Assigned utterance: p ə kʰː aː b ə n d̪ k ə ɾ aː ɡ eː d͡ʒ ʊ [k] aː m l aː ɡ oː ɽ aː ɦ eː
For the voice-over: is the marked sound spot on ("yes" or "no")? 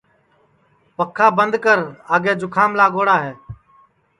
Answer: no